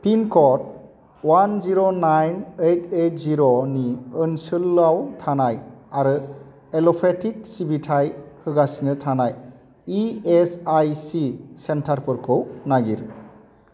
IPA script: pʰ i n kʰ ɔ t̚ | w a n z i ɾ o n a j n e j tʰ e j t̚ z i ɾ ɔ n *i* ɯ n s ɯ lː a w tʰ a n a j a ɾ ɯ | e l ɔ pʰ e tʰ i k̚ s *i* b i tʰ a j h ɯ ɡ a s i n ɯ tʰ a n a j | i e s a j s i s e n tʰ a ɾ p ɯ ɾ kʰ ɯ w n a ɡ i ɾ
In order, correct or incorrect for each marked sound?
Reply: correct, correct

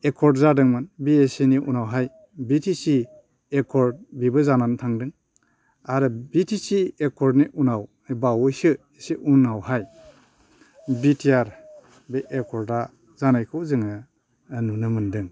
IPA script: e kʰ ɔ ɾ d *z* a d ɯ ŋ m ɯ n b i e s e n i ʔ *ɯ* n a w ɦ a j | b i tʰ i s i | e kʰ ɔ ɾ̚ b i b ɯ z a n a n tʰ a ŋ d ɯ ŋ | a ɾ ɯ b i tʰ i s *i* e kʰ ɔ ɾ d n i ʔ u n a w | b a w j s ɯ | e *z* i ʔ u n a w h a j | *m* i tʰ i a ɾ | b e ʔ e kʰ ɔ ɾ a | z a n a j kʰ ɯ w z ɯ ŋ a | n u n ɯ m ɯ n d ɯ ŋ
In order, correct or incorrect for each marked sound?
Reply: correct, incorrect, correct, incorrect, incorrect

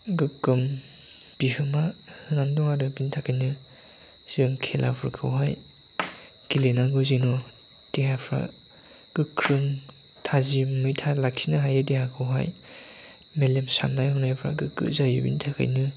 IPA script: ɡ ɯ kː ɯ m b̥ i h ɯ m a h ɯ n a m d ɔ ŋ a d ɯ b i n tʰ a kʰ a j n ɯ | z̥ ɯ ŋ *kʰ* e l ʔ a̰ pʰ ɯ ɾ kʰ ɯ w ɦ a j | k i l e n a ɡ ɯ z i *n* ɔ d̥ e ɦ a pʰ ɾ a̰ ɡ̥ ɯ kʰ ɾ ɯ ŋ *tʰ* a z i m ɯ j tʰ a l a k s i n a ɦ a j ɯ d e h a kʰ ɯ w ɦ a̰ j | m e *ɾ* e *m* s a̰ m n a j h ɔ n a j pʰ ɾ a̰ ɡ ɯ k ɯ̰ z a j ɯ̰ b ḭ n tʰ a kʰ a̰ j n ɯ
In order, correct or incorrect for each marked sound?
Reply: correct, correct, correct, incorrect, correct

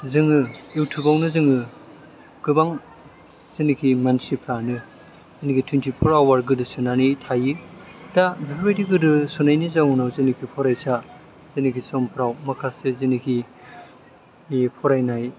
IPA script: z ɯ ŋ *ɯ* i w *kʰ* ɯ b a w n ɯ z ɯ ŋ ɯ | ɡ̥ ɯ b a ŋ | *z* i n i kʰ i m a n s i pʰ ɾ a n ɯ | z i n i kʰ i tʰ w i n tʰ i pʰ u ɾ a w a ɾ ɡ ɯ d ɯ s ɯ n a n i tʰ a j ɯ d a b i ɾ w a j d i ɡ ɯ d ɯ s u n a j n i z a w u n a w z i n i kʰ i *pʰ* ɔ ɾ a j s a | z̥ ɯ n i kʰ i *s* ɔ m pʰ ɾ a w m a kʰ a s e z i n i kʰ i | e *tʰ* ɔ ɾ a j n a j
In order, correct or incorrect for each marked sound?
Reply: correct, incorrect, correct, correct, correct, incorrect

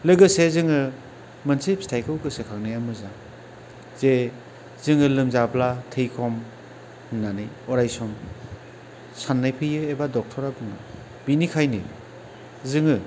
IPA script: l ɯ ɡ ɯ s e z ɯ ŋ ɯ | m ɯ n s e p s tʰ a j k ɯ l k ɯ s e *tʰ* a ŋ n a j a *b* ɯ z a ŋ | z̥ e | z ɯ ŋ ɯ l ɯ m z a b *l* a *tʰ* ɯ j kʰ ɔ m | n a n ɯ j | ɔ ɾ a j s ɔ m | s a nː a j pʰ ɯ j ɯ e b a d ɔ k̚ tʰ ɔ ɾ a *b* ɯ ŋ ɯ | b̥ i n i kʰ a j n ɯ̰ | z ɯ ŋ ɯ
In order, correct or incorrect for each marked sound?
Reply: incorrect, incorrect, correct, correct, correct

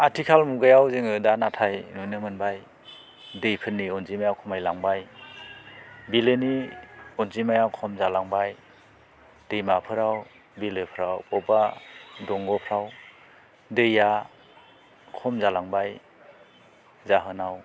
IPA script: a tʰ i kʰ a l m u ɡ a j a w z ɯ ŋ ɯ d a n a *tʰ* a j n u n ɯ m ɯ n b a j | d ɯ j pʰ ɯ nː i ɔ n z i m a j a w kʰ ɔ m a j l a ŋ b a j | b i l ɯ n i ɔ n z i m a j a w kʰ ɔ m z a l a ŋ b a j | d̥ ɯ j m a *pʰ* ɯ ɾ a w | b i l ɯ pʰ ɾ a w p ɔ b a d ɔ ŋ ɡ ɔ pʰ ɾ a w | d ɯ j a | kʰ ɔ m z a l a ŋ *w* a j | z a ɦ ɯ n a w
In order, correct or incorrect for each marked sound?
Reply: correct, correct, incorrect

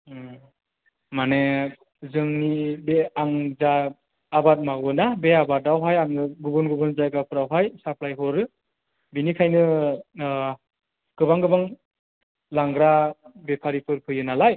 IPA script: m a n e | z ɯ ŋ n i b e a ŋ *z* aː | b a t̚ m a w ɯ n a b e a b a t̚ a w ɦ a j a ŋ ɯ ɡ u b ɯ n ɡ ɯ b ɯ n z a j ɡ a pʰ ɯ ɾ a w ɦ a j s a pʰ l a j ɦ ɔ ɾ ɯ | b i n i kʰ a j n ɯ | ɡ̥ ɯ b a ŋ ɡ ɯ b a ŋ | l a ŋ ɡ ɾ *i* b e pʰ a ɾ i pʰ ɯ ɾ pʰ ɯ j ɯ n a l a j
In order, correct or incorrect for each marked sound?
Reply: correct, incorrect

